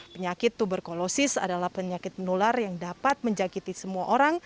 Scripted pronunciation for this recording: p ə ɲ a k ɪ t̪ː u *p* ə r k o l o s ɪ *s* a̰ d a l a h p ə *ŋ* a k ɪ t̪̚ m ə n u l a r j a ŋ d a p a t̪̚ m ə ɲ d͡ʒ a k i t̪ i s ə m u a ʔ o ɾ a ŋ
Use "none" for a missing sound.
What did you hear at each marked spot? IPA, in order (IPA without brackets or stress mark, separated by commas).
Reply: b, s, ɲ